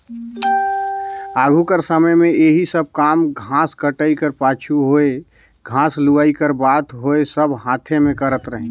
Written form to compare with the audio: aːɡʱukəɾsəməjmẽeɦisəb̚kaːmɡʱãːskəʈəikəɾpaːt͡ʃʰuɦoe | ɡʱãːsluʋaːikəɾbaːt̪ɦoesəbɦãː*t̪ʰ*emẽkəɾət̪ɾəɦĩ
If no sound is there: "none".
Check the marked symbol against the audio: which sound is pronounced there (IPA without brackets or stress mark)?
t̪ʰ